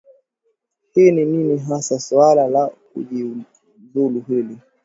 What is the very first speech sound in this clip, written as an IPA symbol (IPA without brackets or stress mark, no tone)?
h